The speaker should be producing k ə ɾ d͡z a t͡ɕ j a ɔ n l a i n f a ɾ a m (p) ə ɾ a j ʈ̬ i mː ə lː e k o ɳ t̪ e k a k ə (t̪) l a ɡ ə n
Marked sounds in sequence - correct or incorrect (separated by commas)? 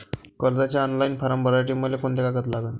incorrect, correct